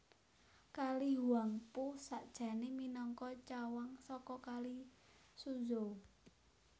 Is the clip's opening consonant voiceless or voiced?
voiceless